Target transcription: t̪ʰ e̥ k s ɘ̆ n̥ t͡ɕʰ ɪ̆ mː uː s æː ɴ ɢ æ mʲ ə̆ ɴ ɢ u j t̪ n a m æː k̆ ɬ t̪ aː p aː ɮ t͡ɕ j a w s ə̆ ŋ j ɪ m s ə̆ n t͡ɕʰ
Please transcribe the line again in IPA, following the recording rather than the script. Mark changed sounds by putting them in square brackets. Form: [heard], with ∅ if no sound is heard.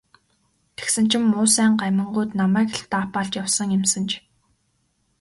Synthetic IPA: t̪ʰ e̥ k s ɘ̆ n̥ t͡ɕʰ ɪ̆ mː [ʊː] s æː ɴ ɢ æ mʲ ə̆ ɴ ɢ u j t̪ n a m æː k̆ ɬ t̪ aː p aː ɮ t͡ɕ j a w s ə̆ ŋ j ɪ m s ə̆ n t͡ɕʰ